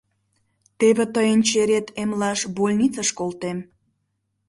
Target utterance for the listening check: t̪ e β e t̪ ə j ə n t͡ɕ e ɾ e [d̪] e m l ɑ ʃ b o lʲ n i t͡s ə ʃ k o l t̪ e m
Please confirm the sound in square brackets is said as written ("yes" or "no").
no